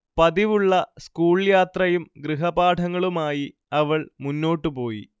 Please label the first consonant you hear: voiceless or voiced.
voiceless